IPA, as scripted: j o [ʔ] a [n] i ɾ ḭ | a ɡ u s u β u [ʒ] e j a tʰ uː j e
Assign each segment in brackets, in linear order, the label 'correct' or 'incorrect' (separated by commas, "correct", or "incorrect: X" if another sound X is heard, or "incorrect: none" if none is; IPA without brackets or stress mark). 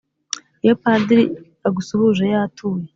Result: incorrect: p, incorrect: d, correct